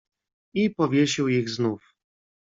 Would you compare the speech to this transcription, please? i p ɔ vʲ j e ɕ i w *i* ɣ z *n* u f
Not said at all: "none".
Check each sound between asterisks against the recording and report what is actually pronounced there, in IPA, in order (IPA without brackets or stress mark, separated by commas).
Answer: i, n